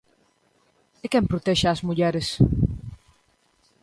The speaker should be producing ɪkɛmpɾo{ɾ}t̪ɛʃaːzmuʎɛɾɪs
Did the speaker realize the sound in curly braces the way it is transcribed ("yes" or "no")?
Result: no